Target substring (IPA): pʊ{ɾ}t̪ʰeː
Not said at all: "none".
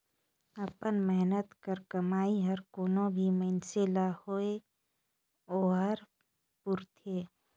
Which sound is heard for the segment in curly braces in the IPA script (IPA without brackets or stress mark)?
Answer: ɾ